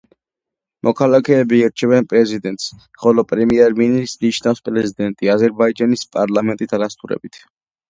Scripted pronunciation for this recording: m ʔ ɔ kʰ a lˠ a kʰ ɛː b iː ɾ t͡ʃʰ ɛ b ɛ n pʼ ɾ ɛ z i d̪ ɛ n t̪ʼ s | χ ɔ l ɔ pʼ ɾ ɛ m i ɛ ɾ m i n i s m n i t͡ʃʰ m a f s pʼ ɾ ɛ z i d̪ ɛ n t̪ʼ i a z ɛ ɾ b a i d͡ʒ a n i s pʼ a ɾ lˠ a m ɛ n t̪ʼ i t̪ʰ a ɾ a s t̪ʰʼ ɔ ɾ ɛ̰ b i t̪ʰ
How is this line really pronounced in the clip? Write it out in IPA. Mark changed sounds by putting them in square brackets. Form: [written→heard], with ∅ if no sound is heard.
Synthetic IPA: m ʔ ɔ kʰ a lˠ a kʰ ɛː b iː ɾ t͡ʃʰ ɛ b ɛ n pʼ ɾ ɛ z i d̪ ɛ n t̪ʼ s | χ ɔ l ɔ pʼ ɾ ɛ m i ɛ ɾ m i n i s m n i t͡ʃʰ [m→n] a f s pʼ ɾ ɛ z i d̪ ɛ n t̪ʼ i a z ɛ ɾ b a i d͡ʒ a n i s pʼ a ɾ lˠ a m ɛ n t̪ʼ i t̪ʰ a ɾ a s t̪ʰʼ [ɔ→u] ɾ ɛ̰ b i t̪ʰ